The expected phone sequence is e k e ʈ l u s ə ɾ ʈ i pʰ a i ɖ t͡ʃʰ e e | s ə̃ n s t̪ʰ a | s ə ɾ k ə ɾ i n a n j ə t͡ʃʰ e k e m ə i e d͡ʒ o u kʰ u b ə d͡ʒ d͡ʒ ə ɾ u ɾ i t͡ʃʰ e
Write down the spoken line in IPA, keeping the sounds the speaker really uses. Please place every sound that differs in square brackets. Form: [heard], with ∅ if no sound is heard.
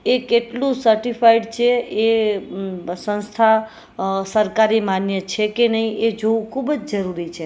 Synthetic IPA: e k e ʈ l u s ə ɾ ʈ i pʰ a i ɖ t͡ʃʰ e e | s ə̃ n s t̪ʰ a | s ə ɾ k [a] ɾ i [m] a n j ə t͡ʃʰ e k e [n] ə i e d͡ʒ o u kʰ u b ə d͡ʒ d͡ʒ ə ɾ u ɾ i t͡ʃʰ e